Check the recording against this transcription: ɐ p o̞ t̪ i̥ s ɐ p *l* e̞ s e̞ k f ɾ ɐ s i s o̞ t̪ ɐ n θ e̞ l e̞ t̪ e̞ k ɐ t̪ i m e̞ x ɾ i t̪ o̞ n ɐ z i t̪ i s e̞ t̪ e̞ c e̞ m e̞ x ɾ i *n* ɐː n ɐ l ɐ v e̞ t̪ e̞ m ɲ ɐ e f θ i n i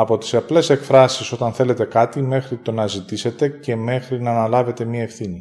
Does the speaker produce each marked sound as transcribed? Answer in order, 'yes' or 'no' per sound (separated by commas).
yes, yes